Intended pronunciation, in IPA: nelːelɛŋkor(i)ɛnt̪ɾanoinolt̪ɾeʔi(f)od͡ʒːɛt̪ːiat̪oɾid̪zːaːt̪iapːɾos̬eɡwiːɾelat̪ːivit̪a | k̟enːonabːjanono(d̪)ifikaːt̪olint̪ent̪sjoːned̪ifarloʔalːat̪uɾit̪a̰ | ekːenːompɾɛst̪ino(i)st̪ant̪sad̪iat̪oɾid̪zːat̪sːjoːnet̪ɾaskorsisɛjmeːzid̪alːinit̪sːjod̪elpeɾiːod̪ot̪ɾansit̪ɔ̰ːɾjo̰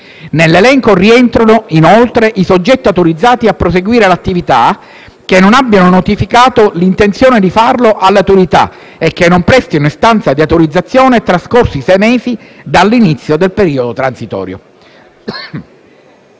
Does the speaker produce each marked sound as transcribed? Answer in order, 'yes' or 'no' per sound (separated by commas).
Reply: yes, no, no, yes